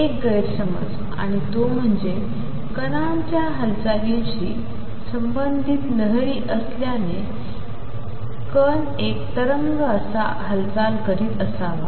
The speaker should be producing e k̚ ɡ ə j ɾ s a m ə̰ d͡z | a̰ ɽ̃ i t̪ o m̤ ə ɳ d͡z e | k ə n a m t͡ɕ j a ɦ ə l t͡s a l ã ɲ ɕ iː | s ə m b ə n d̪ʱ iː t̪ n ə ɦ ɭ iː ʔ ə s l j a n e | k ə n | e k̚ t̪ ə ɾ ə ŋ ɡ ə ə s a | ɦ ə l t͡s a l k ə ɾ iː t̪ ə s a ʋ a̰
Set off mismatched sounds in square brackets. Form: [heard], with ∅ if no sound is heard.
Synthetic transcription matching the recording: e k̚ ɡ ə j ɾ s [ə] m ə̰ d͡z | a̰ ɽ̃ i t̪ o m̤ ə ɳ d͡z e | k ə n a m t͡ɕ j a ɦ ə l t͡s a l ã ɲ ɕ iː | s ə m b ə n d̪ʱ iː t̪ n ə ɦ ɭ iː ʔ ə s l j a n e | k ə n | e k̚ t̪ ə ɾ ə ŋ ɡ ə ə s a | ɦ ə l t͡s a l k ə ɾ iː t̪ ə s a ʋ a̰